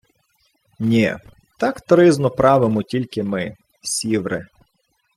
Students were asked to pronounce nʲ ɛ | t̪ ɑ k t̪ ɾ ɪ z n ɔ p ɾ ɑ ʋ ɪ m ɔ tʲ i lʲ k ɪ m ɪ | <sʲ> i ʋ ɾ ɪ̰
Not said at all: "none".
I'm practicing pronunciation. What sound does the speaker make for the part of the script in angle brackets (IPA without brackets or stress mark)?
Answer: sʲ